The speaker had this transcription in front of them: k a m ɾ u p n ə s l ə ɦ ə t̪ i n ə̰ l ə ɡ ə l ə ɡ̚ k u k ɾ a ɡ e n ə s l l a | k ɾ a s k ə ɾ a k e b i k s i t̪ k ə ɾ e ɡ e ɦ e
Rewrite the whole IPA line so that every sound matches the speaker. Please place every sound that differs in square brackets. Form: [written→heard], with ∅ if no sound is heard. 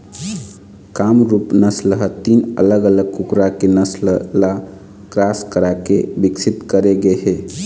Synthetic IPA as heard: k a m ɾ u p n ə s l ə ɦ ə t̪ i n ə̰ l ə ɡ ə l ə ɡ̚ k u k ɾ a [ɡ→k] e n ə s l l a | k ɾ a s k ə ɾ a k e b i k s i t̪ k ə ɾ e ɡ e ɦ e

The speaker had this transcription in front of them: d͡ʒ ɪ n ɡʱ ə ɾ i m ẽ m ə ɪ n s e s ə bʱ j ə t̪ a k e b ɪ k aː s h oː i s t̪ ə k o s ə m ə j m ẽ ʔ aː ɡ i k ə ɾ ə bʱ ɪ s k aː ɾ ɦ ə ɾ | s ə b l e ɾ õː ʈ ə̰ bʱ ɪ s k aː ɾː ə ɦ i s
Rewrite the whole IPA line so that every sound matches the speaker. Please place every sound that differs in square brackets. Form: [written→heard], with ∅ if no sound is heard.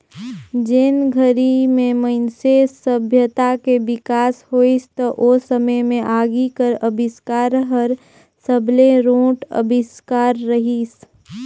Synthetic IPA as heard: d͡ʒ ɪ n ɡʱ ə ɾ i m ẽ m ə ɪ n s e s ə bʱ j ə t̪ a k e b ɪ k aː s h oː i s t̪ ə [k→ʔ] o s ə m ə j m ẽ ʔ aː ɡ i k ə ɾ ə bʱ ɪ s k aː ɾ ɦ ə ɾ | s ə b l e ɾ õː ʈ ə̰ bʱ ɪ s k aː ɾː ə ɦ i s

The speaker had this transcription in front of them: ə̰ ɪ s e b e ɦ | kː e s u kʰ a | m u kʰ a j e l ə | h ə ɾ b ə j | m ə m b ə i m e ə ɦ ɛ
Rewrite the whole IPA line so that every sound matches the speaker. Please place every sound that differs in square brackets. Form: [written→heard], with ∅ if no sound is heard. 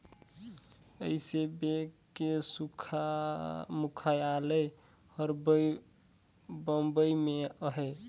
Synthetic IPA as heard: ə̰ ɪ s e b e [ɦ→∅] | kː e s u kʰ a | m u kʰ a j [e→a] l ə | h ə ɾ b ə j | [m→b] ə m b ə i m e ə ɦ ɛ

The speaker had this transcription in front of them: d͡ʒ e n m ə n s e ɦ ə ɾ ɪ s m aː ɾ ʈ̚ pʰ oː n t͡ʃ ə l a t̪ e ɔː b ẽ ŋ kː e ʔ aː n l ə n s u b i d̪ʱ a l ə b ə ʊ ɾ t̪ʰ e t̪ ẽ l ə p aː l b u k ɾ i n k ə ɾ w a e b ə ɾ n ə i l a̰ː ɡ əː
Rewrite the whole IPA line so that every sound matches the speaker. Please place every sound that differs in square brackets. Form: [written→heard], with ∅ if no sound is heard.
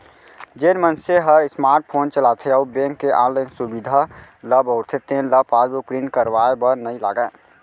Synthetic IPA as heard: d͡ʒ e n m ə n s e ɦ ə ɾ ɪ s m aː ɾ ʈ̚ pʰ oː n t͡ʃ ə l a [t̪→t̪ʰ] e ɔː b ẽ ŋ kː e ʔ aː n l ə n s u b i d̪ʱ a l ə b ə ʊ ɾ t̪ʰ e t̪ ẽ l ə p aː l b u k ɾ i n k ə ɾ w a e b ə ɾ n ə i l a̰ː ɡ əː

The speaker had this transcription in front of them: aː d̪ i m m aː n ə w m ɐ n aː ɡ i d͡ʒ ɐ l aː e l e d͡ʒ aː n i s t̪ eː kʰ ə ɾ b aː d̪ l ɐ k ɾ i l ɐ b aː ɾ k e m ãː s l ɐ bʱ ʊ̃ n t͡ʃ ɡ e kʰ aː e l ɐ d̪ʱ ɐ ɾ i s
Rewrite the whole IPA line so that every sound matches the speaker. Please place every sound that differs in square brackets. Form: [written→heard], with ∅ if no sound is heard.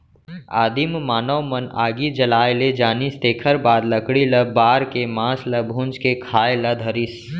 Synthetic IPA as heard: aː d̪ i m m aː n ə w m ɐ n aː ɡ i d͡ʒ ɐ l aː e l e d͡ʒ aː n i s t̪ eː kʰ ə ɾ b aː d̪ l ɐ k [ɾ→ɽ] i l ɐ b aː ɾ k e m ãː s l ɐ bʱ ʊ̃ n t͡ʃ [ɡ→k] e kʰ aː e l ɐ d̪ʱ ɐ ɾ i s

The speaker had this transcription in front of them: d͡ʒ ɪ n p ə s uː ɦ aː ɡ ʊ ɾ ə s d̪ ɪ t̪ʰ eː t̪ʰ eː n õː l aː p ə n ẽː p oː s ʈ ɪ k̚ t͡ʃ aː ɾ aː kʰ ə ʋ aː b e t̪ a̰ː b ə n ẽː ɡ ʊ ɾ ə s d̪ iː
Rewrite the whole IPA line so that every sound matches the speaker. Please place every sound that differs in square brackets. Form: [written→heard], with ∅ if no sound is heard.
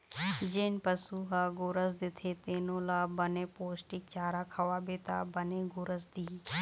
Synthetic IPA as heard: d͡ʒ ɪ n p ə s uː ɦ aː ɡ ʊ ɾ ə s d̪ ɪ t̪ʰ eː [t̪ʰ→t̪] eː n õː l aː [p→b] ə n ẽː p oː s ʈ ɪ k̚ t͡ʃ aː ɾ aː kʰ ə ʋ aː b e t̪ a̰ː b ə n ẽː ɡ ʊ ɾ ə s d̪ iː

